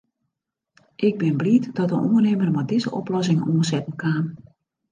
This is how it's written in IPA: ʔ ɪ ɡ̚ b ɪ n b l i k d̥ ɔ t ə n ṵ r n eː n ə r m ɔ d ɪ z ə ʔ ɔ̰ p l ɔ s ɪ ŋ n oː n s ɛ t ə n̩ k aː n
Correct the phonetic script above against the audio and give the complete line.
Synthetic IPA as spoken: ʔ ɪ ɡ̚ b ɪ n b l i t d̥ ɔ t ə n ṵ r n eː m ə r m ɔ d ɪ z ə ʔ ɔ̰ p l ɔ s ɪ ŋ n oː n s ɛ t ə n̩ k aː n